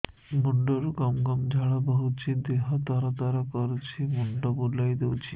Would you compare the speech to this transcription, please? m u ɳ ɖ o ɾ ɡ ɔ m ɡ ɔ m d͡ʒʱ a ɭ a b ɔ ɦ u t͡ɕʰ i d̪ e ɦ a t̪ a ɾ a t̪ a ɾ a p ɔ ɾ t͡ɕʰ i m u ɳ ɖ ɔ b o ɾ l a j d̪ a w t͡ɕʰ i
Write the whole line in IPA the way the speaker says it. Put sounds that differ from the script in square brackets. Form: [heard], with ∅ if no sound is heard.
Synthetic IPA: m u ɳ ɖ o ɾ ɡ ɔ m ɡ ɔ m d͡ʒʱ a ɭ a b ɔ ɦ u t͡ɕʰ i d̪ e ɦ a t̪ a ɾ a t̪ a ɾ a [k] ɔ ɾ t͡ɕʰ i m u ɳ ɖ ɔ b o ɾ l a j d̪ [e] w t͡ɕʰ i